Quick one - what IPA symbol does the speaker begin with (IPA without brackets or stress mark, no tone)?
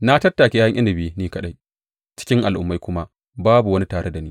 n